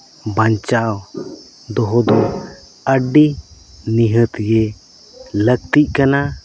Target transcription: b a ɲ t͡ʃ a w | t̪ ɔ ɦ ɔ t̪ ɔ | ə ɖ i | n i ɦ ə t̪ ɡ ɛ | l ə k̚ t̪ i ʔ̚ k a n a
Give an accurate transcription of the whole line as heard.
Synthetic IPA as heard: b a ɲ t͡ʃ a w | d̪ ɔ ɦ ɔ d̪ ɔ | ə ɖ i | n i ɦ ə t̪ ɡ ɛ | l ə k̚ t̪ i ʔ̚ k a n a

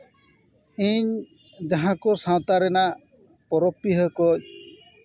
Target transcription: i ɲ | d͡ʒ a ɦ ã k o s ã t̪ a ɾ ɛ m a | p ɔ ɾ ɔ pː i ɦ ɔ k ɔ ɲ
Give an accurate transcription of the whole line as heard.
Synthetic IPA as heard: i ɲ | d͡ʒ a ɦ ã k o s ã t̪ a ɾ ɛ n a | p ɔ ɾ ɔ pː i ɦ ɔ k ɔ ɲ

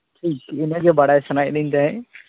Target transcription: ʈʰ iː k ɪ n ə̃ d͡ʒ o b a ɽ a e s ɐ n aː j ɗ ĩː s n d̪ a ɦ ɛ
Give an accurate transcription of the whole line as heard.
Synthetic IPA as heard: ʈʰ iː k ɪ n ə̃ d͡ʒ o b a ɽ a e s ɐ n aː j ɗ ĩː n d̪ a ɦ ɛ

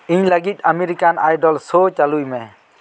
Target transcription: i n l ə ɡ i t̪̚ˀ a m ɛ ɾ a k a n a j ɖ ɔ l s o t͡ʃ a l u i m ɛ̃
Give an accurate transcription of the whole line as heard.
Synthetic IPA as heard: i ɲ l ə ɡ i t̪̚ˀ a m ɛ ɾ i k a n a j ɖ ɔ l s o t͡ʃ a l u j m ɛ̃

